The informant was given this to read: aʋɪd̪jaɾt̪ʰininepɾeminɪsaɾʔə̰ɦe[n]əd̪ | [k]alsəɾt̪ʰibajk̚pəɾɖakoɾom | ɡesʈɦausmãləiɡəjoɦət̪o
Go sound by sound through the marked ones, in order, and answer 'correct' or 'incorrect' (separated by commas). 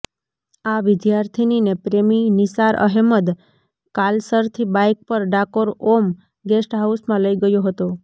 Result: incorrect, correct